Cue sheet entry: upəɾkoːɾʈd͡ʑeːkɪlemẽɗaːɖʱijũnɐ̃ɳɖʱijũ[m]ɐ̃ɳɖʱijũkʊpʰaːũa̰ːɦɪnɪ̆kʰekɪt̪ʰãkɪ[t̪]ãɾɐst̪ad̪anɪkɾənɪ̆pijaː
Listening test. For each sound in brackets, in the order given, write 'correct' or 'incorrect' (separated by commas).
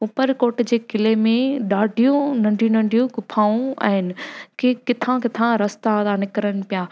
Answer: incorrect, incorrect